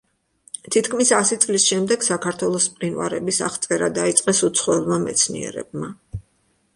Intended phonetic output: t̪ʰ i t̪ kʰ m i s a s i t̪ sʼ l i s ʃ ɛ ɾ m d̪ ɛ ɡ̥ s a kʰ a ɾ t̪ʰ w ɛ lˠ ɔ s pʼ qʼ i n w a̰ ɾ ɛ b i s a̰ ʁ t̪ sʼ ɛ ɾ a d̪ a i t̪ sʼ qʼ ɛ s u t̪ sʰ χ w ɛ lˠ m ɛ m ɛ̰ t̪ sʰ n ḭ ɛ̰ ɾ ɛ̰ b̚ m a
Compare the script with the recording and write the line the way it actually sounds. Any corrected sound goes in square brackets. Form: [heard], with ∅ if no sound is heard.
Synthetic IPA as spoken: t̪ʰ i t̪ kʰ m i s a s i t̪ sʼ l i s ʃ ɛ [∅] m d̪ ɛ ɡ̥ s a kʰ a ɾ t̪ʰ w ɛ lˠ ɔ s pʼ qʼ i n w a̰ ɾ ɛ b i s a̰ [χ] t̪ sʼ ɛ ɾ a d̪ a i t̪ sʼ qʼ ɛ s u t̪ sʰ χ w ɛ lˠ m [a] m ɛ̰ t̪ sʰ n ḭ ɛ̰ ɾ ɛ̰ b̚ m a